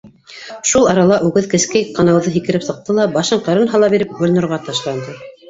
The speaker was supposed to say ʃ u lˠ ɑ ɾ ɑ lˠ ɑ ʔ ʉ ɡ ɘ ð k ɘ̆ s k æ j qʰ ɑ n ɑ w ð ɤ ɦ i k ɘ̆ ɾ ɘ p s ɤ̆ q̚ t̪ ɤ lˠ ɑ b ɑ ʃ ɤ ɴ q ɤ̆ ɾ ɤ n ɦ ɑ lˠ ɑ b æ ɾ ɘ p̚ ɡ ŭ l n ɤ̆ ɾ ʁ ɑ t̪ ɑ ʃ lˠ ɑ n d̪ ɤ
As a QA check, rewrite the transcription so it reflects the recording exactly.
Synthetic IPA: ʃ u lˠ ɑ ɾ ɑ lˠ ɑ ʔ ʉ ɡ ɘ ð k ɘ̆ s k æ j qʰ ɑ n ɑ w ð ɤ ɦ i k ɘ̆ ɾ ɘ p s ɤ̆ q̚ t̪ ɤ lˠ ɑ b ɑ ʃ ɤ ɴ q ɤ̆ ɾ ɤ n ɦ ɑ lˠ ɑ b i ɾ ɘ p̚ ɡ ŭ l n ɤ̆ ɾ ʁ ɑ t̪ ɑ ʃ lˠ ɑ n d̪ ɤ